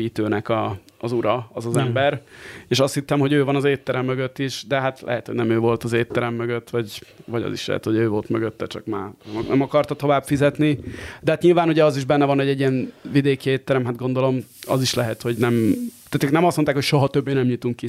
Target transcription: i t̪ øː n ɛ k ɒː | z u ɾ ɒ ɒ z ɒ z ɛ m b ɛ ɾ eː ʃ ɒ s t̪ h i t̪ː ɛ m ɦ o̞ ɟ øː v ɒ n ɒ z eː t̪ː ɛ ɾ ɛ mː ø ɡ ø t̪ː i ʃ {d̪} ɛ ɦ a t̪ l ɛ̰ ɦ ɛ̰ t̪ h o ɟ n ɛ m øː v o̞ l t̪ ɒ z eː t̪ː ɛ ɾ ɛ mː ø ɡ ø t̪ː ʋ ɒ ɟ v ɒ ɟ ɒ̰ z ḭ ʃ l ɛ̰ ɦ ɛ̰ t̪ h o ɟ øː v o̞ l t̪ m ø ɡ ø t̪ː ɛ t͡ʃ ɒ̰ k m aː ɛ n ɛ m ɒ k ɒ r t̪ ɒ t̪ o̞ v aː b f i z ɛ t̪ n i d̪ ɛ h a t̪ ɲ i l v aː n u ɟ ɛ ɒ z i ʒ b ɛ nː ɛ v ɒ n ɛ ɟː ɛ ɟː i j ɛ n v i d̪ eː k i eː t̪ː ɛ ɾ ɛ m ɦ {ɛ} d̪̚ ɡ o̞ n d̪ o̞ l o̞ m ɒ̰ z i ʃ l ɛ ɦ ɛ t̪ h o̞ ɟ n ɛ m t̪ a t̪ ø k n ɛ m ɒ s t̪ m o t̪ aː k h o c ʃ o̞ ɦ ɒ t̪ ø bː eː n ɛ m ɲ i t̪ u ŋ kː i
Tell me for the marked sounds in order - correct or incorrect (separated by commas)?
correct, incorrect